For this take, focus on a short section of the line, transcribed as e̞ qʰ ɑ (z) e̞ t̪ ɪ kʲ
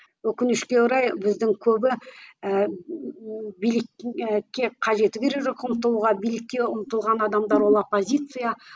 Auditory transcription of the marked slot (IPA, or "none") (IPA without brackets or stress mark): ʒ